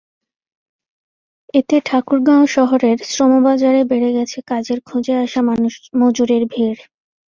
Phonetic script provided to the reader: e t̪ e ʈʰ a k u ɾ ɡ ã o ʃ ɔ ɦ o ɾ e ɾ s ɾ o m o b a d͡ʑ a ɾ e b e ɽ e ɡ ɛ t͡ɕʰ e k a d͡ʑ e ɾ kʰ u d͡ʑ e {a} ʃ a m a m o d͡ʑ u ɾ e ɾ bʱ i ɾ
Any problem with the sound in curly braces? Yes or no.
no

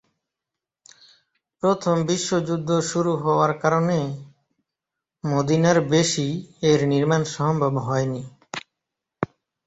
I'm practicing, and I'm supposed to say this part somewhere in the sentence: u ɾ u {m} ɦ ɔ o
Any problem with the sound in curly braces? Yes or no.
yes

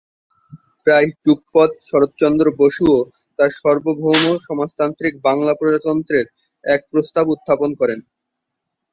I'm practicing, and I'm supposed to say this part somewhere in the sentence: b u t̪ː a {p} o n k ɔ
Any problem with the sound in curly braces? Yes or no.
no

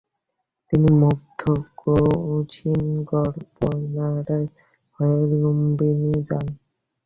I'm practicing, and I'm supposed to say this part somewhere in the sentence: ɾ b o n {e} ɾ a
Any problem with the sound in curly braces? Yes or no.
yes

